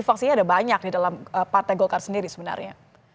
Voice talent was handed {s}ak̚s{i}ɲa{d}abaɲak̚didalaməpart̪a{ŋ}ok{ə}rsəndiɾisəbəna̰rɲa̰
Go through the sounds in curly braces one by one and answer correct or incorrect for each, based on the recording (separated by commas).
incorrect, correct, correct, incorrect, incorrect